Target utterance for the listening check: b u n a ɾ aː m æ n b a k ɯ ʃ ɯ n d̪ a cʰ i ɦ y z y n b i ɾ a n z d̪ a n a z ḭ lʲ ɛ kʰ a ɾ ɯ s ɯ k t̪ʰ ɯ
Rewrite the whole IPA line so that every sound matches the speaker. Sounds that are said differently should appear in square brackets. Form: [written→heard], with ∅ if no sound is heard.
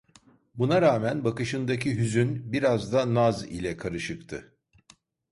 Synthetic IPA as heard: b u n a ɾ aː m æ n b a k ɯ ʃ ɯ n d̪ a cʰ i ɦ y z y n b i ɾ a [n→∅] z d̪ a n a z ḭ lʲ ɛ kʰ a ɾ ɯ [s→ʃ] ɯ k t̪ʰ ɯ